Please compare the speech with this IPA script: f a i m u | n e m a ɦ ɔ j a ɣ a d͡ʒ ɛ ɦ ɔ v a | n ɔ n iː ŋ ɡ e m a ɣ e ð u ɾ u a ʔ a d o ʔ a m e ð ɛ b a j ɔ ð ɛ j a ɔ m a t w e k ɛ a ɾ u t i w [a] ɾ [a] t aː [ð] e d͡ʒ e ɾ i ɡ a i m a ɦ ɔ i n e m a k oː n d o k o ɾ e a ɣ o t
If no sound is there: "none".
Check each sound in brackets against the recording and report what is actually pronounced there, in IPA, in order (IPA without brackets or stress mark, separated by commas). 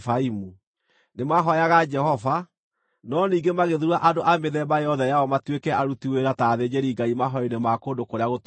e, a, ð